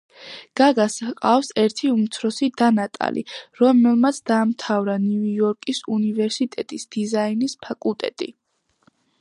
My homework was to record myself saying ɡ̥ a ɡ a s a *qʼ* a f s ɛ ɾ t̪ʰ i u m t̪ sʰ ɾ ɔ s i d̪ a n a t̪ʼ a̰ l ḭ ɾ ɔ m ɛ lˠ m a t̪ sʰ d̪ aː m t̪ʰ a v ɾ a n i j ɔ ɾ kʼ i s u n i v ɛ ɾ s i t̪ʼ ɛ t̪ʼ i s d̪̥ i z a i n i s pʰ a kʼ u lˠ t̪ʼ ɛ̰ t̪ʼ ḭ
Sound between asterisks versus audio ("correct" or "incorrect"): correct